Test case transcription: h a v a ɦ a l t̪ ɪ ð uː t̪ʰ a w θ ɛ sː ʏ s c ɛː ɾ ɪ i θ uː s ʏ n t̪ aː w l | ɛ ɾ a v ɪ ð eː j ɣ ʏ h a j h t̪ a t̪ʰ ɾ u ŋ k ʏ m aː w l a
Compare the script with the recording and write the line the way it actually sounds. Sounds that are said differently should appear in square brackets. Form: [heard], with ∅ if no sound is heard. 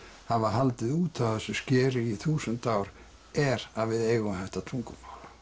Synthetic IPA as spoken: h a v a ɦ a l t̪ ɪ ð uː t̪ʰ a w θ ɛ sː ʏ s c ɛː ɾ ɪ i θ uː s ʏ n t̪ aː w [ɾ] | ɛ ɾ a v ɪ ð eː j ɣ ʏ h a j h t̪ a t̪ʰ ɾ u ŋ k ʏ m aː w l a